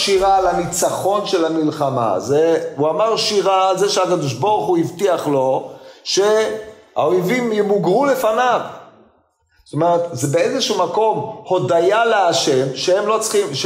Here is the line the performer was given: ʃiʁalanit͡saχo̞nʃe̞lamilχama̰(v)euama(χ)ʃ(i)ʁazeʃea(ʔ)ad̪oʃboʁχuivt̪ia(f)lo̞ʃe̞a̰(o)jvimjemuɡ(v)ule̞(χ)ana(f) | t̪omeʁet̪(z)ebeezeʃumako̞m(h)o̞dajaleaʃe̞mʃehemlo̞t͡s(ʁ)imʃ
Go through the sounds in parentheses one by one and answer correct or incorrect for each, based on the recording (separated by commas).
incorrect, incorrect, correct, incorrect, incorrect, correct, incorrect, incorrect, incorrect, correct, correct, incorrect